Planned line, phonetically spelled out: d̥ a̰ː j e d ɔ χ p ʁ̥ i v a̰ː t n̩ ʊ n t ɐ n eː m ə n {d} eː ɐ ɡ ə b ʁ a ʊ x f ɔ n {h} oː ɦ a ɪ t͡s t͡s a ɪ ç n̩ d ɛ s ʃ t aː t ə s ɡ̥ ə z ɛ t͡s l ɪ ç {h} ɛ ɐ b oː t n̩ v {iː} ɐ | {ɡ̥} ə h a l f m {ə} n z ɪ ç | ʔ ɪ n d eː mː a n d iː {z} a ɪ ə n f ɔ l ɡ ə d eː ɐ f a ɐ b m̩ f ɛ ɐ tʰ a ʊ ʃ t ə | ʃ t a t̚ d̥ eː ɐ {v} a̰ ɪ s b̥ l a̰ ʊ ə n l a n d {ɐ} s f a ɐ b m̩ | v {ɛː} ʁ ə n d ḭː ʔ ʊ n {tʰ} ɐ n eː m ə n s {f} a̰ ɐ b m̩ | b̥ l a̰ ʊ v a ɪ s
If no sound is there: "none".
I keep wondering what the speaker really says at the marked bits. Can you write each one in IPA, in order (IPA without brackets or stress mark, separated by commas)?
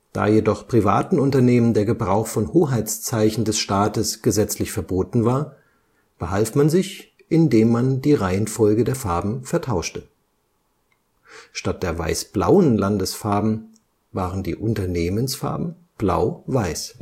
d, h, f, aː, b̥, a, ʁ, v, ə, aː, t, f